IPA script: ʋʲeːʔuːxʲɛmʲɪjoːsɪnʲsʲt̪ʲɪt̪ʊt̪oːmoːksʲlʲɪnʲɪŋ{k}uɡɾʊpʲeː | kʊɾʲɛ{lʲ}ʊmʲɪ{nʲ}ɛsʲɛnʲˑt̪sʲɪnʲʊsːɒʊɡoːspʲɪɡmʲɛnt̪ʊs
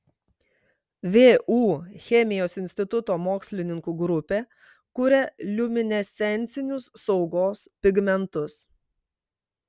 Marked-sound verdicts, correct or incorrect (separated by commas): correct, correct, correct